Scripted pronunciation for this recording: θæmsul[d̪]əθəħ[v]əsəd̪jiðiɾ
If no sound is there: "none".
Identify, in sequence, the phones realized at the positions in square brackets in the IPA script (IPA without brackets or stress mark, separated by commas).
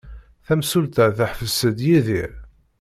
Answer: t̪, f